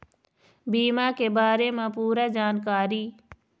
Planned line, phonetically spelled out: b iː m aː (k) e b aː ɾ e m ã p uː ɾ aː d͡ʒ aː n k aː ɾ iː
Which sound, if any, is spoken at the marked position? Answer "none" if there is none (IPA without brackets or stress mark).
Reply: k